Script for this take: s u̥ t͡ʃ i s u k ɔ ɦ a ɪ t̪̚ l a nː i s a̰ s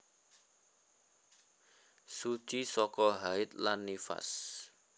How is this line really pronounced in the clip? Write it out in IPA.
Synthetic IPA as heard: s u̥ t͡ʃ i s ɔ k ɔ ɦ a ɪ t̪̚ l a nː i f a̰ s

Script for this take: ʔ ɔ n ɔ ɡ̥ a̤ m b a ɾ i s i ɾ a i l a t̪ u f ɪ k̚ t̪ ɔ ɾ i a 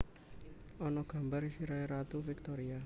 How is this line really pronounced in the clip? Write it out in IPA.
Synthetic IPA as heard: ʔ ɔ n ɔ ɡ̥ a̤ m b a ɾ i s i ɾ a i ɾ a t̪ u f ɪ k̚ t̪ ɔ ɾ i a

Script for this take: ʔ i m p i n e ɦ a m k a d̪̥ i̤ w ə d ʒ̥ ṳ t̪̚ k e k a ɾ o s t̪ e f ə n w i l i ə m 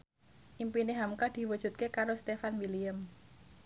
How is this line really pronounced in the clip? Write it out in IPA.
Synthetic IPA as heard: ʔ i m p i n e ɦ a m k a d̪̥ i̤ w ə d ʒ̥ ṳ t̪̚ k e k a ɾ o s t̪ e f a n w i l i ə m

